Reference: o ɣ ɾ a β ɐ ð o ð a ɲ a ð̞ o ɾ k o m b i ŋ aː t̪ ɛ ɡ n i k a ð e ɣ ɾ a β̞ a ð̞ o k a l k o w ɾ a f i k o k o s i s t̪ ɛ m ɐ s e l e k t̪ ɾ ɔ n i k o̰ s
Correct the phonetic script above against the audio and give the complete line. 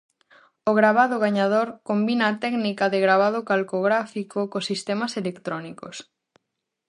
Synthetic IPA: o ɣ ɾ a β a ð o ɣ a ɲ a ð̞ o ɾ k o m b i n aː t̪ ɛ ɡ n i k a ð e ɣ ɾ a β̞ a ð̞ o k a l k o ɣ ɾ a f i k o k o s i s t̪ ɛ m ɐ s e l e k t̪ ɾ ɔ n i k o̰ s